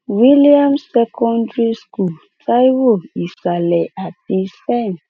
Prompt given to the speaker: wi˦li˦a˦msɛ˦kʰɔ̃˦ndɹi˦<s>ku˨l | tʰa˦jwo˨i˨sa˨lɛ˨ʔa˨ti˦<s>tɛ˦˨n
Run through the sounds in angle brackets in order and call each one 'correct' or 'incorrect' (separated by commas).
correct, correct